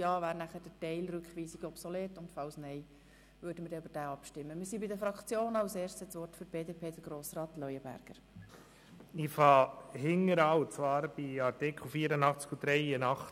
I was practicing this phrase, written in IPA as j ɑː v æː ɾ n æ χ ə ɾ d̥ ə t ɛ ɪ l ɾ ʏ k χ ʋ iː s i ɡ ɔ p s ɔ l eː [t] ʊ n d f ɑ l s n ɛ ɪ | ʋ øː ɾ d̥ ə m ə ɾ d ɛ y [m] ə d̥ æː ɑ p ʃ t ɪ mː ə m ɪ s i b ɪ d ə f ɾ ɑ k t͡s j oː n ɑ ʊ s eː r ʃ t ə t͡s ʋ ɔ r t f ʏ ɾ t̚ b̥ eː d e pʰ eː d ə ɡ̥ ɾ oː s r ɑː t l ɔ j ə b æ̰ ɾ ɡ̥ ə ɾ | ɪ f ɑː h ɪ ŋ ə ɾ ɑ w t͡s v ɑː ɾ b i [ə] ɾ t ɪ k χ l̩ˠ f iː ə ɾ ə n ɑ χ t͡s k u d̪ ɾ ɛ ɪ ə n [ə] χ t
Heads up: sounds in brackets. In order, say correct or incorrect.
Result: correct, incorrect: b, incorrect: ɑ, incorrect: ɑ

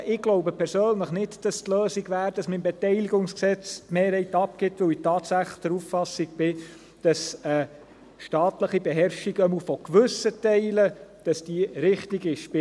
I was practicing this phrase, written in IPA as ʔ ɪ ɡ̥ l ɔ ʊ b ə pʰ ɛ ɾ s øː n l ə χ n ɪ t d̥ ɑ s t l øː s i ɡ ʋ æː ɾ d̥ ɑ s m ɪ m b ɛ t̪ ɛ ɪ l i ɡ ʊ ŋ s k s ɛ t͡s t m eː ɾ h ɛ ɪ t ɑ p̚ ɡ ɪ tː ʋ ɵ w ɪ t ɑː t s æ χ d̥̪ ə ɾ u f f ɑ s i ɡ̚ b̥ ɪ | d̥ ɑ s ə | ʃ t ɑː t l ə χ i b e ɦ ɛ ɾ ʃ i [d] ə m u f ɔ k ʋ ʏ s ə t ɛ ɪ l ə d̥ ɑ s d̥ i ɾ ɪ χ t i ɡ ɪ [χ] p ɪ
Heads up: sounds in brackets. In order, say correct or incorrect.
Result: incorrect: ɡ, incorrect: ʃ

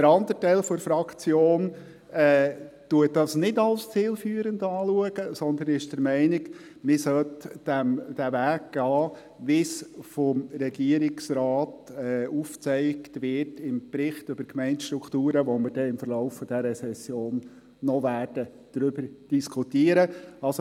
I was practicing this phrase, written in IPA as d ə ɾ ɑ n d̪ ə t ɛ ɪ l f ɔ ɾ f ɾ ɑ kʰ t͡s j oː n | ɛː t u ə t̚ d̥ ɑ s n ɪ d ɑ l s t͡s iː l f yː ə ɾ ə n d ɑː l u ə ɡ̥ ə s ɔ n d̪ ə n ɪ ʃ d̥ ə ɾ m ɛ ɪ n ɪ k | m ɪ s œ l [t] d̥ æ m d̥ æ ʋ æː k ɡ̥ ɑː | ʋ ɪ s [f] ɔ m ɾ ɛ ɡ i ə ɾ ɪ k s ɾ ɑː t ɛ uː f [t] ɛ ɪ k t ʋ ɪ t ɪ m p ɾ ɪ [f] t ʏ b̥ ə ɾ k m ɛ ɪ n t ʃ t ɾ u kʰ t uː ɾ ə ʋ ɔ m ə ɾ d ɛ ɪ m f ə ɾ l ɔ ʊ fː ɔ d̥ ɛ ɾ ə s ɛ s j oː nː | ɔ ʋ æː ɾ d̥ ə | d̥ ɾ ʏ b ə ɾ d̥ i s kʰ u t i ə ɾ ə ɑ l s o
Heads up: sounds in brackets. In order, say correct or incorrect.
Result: correct, correct, incorrect: t͡s, incorrect: χ

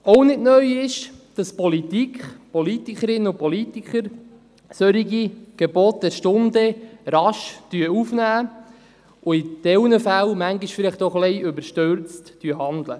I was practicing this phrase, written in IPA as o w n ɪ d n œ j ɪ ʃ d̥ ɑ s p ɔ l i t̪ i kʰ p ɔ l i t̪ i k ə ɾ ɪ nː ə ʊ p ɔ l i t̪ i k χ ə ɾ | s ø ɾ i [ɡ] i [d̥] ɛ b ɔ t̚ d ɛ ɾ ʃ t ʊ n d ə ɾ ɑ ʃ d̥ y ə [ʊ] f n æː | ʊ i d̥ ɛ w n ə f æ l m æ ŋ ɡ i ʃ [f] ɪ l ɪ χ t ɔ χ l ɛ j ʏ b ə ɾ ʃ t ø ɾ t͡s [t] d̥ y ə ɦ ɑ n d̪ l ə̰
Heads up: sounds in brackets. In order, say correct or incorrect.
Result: correct, incorrect: ɡ̥, incorrect: u, correct, correct

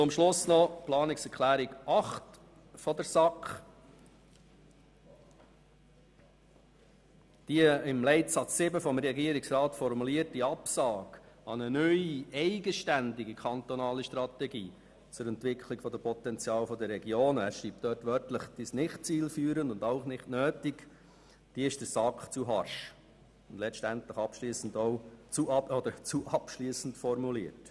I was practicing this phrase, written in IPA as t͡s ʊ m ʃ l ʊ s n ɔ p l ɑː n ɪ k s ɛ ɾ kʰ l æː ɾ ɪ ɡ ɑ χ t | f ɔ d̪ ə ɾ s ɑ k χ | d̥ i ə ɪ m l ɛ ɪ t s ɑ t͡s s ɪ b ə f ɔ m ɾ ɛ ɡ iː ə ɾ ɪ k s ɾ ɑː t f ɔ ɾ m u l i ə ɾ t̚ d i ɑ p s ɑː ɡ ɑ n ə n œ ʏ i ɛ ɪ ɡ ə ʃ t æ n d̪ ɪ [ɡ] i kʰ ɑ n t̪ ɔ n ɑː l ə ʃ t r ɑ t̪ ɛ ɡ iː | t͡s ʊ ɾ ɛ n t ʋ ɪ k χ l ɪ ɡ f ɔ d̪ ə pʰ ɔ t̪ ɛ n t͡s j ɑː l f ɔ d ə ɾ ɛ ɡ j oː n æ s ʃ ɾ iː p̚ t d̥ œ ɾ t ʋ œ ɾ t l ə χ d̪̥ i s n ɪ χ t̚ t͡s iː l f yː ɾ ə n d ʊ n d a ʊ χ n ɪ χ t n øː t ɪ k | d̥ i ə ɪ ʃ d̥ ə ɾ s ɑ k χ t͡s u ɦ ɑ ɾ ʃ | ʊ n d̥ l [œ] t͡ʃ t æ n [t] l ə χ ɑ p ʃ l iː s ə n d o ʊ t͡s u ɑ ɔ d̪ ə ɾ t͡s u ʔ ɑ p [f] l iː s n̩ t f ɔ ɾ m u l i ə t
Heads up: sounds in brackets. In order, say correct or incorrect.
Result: correct, incorrect: ɛ, correct, incorrect: ʃ

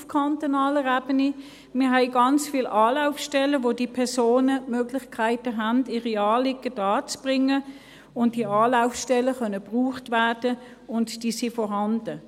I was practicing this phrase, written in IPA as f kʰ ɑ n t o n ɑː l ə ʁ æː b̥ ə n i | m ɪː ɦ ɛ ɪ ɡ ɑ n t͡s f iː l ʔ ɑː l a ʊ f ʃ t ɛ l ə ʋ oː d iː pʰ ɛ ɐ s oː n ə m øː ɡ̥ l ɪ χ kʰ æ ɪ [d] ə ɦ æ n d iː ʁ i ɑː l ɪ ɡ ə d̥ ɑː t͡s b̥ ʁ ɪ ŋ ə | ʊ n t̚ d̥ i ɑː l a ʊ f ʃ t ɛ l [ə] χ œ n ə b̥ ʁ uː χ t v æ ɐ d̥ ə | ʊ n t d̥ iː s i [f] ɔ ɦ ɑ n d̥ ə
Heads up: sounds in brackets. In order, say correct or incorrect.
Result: incorrect: t, correct, correct

